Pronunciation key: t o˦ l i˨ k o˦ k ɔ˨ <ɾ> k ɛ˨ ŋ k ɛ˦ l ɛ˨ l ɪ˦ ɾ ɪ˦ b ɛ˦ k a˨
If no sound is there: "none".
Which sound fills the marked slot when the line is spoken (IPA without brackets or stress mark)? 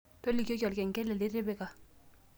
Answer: l